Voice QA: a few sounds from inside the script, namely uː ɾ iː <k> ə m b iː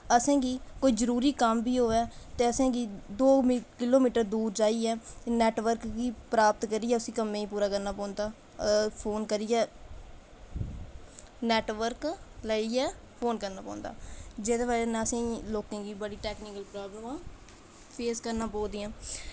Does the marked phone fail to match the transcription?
no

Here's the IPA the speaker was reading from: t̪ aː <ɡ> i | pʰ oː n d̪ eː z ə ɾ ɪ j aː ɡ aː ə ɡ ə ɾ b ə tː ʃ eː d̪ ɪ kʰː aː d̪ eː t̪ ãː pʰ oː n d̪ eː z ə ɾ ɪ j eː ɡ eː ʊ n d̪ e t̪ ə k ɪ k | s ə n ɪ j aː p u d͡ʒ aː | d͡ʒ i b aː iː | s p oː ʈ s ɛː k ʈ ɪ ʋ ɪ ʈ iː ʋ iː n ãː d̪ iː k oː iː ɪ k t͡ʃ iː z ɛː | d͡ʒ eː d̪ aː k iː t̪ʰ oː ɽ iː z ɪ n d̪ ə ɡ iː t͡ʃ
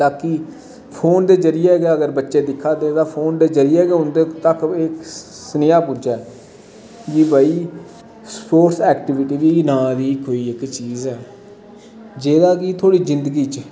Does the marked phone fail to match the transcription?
yes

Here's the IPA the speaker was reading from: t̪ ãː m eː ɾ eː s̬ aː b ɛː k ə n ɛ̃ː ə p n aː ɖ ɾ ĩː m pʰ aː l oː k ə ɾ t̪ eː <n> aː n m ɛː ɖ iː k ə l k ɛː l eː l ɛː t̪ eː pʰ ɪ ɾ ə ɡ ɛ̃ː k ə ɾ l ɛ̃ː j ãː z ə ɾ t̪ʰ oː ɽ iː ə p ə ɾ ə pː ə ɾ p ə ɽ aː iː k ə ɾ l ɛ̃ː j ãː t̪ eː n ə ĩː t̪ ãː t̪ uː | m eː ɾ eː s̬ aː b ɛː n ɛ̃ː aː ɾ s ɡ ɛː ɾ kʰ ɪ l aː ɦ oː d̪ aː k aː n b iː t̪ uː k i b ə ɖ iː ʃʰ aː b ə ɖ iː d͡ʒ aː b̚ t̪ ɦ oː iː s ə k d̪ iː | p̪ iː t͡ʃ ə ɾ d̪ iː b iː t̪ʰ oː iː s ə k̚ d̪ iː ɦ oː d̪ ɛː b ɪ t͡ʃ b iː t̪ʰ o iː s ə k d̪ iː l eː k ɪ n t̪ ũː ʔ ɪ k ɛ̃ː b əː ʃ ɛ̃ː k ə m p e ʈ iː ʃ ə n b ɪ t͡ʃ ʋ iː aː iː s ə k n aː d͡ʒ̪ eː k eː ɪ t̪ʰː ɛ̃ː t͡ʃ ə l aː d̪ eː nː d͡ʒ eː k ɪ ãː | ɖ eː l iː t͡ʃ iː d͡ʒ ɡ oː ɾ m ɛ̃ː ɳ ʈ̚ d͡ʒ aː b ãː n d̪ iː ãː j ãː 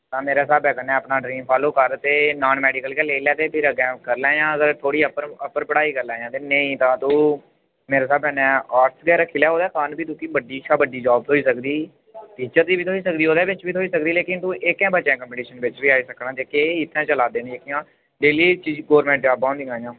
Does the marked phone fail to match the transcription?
no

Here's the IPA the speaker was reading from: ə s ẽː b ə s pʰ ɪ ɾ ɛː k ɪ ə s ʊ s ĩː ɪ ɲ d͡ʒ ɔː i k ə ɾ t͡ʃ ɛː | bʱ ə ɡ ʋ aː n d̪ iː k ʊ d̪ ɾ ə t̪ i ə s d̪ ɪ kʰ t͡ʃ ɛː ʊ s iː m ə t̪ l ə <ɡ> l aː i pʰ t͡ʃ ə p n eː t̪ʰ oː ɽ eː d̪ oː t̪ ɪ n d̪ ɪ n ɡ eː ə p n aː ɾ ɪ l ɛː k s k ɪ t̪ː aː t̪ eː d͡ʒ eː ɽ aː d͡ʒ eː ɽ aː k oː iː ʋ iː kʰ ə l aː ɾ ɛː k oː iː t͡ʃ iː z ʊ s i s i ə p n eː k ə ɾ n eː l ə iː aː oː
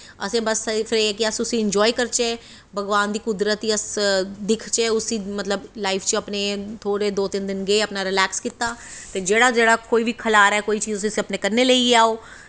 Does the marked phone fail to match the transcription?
yes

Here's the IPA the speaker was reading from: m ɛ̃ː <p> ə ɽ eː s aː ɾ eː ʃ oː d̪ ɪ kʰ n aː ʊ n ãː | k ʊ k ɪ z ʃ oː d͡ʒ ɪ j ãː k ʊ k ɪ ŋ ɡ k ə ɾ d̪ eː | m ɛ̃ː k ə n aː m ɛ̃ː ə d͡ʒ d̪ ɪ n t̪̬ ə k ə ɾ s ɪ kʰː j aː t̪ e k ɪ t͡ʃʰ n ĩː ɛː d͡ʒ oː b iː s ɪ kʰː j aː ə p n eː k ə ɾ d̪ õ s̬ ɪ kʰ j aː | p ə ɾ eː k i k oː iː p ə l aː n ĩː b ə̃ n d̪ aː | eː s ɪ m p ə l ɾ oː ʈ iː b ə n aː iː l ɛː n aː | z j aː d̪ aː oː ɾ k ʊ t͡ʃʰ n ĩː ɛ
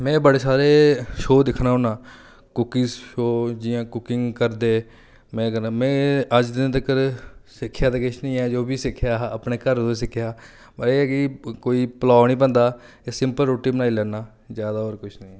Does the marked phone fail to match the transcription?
yes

